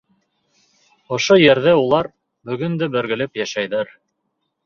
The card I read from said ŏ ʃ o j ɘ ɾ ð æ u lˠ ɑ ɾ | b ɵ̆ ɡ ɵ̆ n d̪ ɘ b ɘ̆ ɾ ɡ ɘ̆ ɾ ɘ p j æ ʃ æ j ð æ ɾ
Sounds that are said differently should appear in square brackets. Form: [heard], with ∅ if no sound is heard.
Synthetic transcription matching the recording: ŏ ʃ o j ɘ ɾ ð æ u lˠ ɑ ɾ | b ɵ̆ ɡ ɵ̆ n d̪ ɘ b ɘ̆ ɾ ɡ ɘ̆ [l] ɘ p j æ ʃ æ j ð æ ɾ